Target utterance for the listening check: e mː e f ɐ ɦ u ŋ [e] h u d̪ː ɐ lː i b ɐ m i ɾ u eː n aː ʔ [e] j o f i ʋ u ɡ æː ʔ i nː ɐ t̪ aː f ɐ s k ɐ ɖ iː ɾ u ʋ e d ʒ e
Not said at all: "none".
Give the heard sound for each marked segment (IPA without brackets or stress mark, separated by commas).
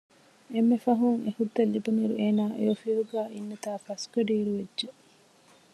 e, e